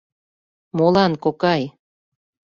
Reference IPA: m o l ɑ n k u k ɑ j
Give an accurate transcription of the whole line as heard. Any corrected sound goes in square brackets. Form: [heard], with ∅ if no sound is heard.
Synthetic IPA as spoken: m o l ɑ n k [o] k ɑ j